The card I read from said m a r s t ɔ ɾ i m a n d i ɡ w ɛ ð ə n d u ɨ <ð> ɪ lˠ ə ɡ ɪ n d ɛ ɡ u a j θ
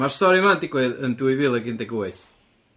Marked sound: incorrect: v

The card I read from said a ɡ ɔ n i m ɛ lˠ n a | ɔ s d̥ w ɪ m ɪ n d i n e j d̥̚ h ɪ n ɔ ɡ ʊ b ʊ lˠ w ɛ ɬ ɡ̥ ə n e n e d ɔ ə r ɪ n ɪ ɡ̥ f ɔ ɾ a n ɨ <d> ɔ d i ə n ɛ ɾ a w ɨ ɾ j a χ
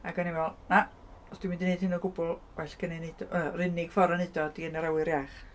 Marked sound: correct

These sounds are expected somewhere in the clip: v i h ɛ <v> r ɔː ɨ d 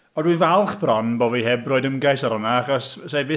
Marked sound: incorrect: b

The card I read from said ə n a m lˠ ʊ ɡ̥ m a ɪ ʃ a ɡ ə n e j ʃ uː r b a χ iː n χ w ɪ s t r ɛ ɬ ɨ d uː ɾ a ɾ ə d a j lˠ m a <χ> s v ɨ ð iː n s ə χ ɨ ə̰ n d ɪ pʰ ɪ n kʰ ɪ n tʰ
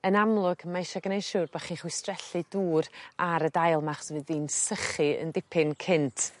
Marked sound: correct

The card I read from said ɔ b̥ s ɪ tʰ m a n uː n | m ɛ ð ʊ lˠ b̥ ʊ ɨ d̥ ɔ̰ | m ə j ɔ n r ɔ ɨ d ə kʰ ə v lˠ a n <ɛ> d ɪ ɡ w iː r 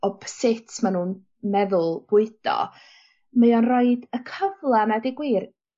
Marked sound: incorrect: a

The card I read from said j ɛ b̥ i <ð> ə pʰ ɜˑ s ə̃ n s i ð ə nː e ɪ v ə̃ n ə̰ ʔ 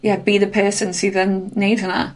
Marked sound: correct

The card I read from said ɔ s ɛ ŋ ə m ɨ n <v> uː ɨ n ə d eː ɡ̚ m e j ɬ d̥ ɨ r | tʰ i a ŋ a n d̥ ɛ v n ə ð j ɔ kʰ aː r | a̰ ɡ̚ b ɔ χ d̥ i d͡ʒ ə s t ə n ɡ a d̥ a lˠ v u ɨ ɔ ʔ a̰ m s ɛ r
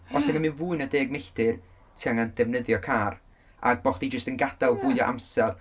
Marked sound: correct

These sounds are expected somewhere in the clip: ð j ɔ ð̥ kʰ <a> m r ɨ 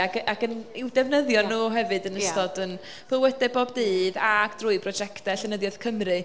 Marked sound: incorrect: ə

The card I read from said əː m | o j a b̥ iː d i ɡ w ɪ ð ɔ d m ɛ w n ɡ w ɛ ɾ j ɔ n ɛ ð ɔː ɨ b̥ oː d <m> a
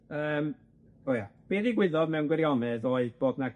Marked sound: incorrect: n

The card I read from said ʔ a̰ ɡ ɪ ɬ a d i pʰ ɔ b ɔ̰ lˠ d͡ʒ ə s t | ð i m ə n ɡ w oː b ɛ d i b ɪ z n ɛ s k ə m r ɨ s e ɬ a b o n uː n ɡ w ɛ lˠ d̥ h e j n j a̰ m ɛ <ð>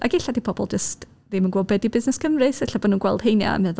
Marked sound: correct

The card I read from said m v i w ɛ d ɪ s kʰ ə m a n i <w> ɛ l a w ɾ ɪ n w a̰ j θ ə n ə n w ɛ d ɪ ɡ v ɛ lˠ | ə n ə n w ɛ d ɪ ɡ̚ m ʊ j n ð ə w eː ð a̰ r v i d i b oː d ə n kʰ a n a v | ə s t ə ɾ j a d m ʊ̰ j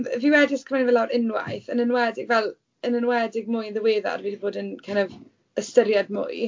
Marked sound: incorrect: v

